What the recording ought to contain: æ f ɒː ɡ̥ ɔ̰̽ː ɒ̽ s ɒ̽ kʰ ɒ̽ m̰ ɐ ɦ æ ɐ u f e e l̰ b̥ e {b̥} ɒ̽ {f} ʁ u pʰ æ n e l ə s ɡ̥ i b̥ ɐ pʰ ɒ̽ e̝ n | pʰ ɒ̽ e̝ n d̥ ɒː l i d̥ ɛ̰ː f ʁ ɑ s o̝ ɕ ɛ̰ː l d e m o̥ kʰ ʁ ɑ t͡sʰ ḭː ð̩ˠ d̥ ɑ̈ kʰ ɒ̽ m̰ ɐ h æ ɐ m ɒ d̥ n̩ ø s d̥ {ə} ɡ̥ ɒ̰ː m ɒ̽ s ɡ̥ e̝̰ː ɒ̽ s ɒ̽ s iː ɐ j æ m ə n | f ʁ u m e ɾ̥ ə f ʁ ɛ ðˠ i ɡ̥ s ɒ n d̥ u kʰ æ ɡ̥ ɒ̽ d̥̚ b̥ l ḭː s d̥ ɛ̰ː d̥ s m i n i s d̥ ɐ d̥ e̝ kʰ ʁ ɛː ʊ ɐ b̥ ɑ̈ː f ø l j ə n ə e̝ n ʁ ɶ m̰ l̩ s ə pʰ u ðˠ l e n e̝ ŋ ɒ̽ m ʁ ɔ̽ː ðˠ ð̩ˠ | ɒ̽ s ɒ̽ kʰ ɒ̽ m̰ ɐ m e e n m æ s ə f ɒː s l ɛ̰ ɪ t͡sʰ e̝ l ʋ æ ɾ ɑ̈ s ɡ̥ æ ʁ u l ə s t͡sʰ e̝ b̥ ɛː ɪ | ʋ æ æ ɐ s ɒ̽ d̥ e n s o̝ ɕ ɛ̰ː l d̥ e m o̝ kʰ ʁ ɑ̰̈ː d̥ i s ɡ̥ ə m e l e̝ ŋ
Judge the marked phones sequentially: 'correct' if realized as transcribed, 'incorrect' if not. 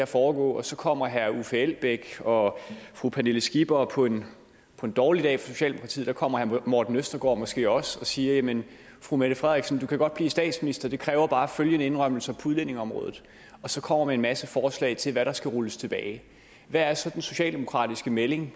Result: incorrect, correct, incorrect

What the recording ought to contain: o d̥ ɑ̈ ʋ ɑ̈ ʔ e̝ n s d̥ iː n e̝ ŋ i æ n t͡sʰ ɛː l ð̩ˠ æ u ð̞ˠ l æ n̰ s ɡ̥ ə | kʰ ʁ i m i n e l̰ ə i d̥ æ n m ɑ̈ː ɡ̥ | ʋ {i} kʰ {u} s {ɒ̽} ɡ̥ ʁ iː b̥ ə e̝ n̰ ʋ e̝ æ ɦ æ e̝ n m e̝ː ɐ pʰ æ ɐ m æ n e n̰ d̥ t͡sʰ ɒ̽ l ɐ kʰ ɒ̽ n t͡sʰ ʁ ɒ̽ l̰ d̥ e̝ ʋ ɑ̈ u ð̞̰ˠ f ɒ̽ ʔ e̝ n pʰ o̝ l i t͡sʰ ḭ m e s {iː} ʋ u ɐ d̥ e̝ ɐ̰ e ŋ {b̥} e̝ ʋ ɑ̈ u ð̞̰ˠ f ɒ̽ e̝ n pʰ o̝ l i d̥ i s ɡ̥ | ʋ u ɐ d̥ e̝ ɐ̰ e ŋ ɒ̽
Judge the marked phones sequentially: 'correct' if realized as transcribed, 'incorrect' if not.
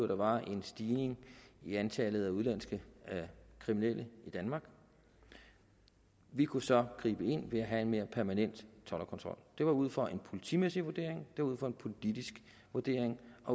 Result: correct, correct, correct, incorrect, incorrect

